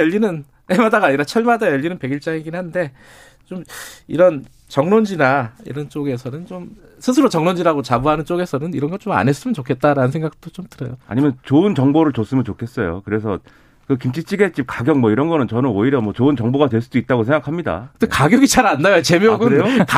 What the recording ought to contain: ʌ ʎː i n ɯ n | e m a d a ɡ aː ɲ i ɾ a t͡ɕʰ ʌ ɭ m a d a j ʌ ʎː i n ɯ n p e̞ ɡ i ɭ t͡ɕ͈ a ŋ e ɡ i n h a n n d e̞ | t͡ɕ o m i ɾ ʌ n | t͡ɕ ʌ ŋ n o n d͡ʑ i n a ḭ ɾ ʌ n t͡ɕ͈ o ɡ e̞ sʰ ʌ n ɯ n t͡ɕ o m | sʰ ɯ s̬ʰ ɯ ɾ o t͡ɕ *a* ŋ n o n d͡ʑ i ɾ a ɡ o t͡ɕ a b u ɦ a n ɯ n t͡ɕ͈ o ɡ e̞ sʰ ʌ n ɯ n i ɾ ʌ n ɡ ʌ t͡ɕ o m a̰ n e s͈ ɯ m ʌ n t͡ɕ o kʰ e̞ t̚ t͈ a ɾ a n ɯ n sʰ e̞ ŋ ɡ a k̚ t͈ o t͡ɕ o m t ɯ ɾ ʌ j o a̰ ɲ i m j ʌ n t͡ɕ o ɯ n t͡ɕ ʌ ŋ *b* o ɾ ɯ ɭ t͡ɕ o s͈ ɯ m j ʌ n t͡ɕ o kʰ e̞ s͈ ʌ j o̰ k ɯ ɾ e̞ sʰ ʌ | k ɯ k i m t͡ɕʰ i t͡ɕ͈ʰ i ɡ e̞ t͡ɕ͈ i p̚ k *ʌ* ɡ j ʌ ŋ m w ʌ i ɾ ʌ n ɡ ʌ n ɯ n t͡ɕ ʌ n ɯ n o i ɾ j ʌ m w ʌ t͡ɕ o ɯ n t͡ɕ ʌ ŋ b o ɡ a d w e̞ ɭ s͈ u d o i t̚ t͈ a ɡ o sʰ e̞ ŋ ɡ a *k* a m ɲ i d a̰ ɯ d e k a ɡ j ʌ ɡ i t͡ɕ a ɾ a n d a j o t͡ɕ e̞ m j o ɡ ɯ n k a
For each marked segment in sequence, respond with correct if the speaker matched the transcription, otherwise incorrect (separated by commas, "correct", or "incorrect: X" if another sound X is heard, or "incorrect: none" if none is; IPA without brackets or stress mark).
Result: incorrect: ʌ, correct, incorrect: a, incorrect: kʰ